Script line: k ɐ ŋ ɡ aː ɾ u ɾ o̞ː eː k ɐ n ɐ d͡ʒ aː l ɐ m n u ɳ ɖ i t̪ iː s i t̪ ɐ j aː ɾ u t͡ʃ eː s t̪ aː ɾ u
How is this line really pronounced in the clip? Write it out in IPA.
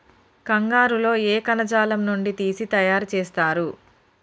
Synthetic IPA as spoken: k ɐ ŋ ɡ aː ɾ u l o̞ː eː k ɐ n ɐ d͡ʒ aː l ɐ m n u ɳ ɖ i t̪ iː s i t̪ ɐ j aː ɾ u t͡ʃ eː s t̪ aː ɾ u